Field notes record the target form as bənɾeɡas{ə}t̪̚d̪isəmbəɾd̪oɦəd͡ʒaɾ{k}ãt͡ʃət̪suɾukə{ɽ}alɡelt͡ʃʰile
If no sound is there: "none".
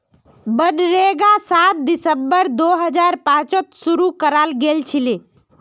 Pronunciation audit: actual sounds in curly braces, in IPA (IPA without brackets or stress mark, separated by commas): a, p, ɾ